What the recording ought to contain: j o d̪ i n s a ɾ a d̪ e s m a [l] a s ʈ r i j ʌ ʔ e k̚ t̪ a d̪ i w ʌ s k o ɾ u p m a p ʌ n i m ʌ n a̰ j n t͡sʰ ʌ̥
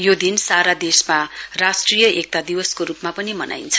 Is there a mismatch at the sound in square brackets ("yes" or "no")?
yes